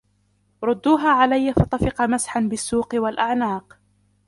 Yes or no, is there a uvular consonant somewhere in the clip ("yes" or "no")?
yes